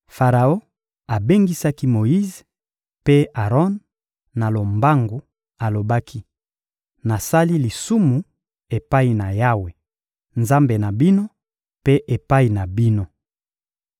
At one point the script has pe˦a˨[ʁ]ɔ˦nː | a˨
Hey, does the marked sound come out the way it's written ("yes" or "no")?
yes